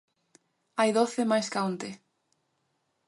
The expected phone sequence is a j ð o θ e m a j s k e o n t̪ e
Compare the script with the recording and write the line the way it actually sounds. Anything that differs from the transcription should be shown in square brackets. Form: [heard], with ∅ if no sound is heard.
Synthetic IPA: a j ð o θ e m a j s k [a] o n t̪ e